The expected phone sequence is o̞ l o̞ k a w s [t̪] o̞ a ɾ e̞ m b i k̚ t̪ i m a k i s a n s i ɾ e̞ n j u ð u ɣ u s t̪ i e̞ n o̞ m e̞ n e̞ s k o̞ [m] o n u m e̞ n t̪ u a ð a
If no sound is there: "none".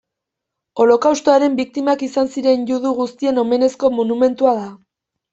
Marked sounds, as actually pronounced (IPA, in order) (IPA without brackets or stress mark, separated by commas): t̪, m